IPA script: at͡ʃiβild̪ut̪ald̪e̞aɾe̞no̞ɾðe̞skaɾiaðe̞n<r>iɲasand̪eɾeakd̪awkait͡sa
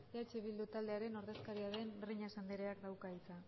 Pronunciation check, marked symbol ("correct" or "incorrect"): correct